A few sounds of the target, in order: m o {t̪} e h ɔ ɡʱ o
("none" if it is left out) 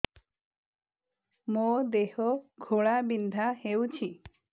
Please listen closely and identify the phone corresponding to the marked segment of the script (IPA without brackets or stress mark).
d̪